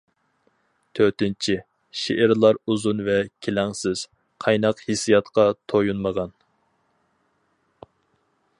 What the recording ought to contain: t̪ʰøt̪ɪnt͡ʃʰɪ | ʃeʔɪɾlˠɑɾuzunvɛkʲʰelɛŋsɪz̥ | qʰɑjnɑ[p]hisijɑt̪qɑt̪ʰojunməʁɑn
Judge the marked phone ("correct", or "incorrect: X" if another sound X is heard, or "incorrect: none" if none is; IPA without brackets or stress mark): incorrect: q